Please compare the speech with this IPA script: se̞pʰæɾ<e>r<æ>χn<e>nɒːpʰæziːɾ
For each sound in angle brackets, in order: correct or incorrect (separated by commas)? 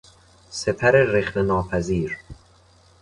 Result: correct, incorrect, correct